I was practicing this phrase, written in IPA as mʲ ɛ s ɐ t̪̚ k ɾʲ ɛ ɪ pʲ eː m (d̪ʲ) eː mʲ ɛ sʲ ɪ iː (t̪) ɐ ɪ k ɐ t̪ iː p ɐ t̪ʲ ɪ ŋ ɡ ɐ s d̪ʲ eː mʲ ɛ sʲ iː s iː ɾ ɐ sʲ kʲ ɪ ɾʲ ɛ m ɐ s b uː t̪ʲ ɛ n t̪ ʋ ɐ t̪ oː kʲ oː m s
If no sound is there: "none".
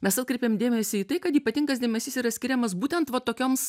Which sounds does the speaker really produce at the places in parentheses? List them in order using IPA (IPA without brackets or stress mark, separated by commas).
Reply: d̪ʲ, t̪